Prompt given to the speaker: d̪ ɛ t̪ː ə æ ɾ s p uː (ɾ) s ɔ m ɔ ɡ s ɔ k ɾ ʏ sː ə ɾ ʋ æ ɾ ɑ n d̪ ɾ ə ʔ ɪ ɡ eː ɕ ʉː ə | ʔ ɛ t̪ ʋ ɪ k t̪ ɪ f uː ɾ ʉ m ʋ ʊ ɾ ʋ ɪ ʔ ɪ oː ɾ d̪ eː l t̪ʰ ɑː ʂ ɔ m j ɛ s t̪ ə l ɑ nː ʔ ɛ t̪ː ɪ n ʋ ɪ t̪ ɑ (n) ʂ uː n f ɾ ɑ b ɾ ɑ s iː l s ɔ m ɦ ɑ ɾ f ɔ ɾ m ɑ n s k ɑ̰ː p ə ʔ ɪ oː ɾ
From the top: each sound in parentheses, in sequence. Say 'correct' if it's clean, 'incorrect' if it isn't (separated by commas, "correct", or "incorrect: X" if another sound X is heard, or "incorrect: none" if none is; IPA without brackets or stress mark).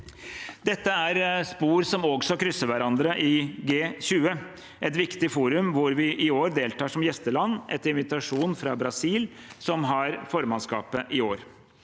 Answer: correct, incorrect: none